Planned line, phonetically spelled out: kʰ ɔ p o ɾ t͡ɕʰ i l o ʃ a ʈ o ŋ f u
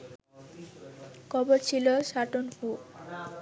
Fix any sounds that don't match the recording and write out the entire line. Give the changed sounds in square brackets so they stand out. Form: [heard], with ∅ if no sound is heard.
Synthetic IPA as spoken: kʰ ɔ [b] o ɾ t͡ɕʰ i l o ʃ a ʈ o [n] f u